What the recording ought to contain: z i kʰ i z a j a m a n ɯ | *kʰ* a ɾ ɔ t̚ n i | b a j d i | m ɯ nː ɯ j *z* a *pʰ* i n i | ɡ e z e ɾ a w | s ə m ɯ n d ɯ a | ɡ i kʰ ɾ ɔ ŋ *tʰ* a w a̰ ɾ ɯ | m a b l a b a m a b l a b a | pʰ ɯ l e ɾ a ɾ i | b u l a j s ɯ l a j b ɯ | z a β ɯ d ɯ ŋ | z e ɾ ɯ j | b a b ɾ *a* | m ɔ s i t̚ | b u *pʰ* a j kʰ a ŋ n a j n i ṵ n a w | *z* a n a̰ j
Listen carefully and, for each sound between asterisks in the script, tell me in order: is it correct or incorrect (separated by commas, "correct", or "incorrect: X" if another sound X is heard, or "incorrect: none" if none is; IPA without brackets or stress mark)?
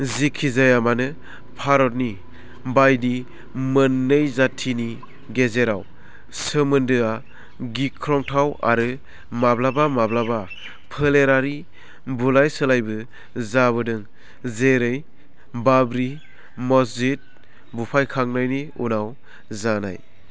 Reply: incorrect: pʰ, correct, incorrect: tʰ, correct, incorrect: i, correct, correct